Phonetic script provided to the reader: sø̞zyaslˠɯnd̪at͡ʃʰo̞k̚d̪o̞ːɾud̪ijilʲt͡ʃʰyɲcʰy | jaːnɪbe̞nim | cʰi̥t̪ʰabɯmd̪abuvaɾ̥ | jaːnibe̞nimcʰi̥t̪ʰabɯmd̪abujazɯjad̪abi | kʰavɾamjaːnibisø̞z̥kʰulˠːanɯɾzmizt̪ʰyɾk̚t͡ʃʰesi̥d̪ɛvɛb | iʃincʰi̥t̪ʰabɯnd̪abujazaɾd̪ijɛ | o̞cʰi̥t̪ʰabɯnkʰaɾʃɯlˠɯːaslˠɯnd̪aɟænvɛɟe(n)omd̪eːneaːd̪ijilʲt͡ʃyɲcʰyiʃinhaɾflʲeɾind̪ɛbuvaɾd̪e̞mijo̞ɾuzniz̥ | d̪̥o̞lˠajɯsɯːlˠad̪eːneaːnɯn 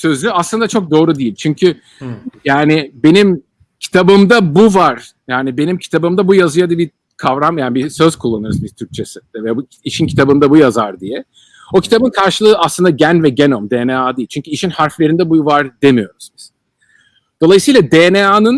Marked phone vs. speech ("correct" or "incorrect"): correct